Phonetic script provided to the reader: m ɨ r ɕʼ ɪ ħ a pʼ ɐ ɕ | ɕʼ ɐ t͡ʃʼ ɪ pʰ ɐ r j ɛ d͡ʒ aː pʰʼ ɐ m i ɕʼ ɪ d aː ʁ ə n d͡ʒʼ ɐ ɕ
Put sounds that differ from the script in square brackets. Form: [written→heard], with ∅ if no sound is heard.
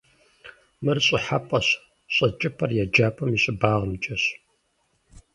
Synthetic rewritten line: m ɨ r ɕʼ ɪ ħ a pʼ ɐ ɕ | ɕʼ ɐ t͡ʃʼ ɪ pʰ ɐ r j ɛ d͡ʒ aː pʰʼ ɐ m i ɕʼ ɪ [d→b] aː ʁ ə [n→m] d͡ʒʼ ɐ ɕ